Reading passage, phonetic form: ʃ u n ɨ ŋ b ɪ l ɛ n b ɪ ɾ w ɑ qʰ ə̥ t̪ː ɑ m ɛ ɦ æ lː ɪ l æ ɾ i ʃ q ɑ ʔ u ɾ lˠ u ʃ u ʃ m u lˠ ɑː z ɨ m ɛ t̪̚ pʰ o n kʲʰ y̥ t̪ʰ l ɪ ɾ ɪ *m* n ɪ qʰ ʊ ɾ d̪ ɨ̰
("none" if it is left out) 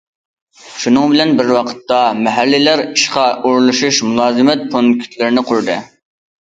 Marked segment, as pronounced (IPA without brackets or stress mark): none